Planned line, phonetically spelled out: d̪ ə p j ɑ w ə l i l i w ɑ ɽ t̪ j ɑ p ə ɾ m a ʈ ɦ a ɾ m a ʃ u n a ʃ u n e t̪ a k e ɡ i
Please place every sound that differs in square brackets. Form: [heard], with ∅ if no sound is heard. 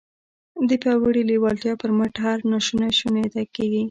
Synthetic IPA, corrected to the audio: d̪ ə p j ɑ w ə [ɽ] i l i w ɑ [l] t̪ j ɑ p ə ɾ m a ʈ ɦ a ɾ [n] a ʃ u n a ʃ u n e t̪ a k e ɡ i